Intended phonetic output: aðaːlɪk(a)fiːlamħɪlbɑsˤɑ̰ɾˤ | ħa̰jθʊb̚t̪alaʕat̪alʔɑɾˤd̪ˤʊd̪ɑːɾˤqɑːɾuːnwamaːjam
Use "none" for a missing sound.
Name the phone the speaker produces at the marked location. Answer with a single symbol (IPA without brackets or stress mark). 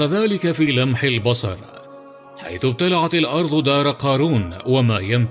a